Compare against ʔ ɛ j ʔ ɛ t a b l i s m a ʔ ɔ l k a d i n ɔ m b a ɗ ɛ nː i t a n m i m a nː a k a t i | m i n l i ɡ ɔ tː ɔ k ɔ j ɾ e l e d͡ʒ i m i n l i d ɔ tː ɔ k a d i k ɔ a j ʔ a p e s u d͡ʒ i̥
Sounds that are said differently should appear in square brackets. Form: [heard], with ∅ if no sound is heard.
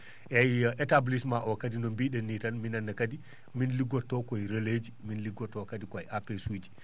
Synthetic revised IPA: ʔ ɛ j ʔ ɛ t a b l i s m a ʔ ɔ [∅] k a d i n ɔ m b [i] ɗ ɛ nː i t a n m i [n] a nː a k a [d] i | m i n l i ɡ ɔ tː ɔ k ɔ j ɾ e l e d͡ʒ i m i n l i [ɡ] ɔ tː ɔ k a d i k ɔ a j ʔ a p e s u d͡ʒ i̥